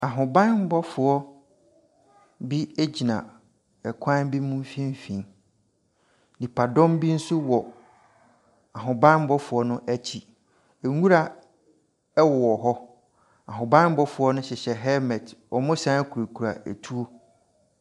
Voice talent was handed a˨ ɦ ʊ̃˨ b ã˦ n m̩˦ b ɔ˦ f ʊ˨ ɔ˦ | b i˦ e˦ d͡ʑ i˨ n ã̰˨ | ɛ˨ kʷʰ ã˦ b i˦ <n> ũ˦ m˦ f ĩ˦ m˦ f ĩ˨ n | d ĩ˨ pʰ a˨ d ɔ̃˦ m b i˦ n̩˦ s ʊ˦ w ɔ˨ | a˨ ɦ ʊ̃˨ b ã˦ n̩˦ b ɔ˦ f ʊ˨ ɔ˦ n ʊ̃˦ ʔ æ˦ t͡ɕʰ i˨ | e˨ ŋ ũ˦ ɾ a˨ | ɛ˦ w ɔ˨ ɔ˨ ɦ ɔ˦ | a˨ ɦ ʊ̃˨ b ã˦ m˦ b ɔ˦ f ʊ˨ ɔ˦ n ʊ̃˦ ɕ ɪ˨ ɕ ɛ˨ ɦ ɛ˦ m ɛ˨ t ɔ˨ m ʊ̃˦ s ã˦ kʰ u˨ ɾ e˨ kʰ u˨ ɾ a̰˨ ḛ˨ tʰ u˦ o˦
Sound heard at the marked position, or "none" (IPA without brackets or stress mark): m